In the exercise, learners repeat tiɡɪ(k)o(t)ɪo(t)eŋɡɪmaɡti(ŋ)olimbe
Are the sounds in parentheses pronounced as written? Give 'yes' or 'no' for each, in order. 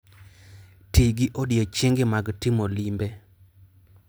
no, no, no, no

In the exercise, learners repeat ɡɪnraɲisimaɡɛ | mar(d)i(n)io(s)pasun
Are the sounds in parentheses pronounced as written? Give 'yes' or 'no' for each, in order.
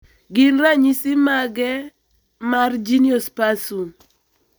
no, yes, yes

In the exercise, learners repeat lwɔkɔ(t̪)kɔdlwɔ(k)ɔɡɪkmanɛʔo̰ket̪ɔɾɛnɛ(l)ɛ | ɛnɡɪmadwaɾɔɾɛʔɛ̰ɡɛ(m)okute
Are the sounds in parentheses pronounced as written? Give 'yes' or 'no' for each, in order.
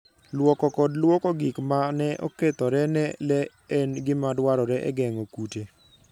no, yes, yes, no

